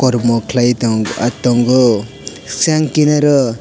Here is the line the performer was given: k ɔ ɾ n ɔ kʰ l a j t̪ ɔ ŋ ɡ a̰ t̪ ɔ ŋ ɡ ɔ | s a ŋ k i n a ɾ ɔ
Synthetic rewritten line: k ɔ ɾ m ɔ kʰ l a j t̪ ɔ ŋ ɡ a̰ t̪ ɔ ŋ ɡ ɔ | s a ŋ k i n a ɾ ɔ